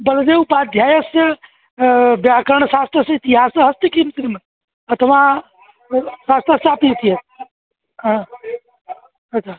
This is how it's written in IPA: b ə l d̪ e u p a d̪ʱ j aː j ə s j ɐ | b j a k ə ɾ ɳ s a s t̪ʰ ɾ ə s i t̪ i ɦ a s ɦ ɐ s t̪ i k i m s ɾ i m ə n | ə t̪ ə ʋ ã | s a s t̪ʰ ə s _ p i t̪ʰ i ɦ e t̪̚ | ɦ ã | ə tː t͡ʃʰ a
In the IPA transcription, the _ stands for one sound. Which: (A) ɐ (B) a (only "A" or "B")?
B